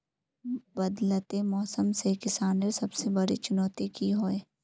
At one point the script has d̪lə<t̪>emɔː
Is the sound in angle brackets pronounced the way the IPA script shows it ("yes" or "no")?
yes